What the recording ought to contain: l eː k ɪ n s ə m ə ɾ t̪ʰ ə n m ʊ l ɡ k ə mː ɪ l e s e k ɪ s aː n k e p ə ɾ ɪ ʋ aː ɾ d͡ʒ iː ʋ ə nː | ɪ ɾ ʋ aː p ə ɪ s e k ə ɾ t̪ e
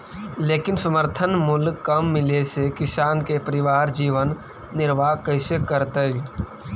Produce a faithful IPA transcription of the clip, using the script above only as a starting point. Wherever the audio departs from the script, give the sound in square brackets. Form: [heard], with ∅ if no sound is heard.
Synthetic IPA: l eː k ɪ n s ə m ə ɾ t̪ʰ ə n m ʊ l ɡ k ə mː ɪ l e s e k ɪ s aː n k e p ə ɾ ɪ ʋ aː ɾ d͡ʒ iː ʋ ə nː | ɪ ɾ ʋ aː [k] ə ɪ s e k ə ɾ t̪ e